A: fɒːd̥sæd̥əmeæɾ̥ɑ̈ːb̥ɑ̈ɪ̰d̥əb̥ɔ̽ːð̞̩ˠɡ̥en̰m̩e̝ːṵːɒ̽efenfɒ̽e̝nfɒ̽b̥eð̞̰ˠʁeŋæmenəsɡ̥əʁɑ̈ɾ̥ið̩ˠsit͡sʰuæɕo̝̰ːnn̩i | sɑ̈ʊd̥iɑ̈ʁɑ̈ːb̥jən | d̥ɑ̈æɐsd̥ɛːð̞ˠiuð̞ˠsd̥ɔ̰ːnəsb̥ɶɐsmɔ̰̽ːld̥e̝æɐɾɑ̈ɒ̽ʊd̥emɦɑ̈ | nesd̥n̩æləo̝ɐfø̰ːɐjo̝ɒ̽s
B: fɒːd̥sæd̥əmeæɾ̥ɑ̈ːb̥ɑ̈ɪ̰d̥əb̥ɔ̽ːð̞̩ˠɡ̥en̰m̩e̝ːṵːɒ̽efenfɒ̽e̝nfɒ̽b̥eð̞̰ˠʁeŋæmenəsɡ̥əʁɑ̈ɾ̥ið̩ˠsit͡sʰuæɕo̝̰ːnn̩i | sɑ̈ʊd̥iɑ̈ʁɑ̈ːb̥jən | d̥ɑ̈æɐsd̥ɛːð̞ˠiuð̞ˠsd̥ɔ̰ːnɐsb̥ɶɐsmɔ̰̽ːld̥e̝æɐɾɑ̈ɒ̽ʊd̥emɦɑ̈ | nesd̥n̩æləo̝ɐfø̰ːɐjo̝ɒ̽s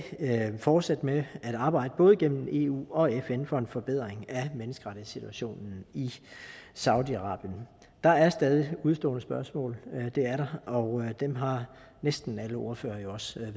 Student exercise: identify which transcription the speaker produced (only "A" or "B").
A